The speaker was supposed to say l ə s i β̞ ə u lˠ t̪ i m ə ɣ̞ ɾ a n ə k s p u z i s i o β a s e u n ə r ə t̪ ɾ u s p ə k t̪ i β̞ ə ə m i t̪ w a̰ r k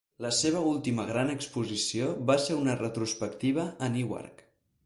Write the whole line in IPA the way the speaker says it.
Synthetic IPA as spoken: l ə s e β̞ ə u lˠ t̪ i m ə ɣ̞ ɾ a n ə k s p u z i s i o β a s e u n ə r ə t̪ ɾ u s p ə k t̪ i β̞ ə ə n i w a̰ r k